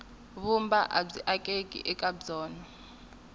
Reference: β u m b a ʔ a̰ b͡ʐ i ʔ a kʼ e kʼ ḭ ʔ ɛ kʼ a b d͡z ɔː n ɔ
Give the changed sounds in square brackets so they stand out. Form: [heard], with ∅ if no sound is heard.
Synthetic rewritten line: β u m b a ʔ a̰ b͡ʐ i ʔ a kʼ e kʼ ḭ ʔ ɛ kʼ a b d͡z ɔː n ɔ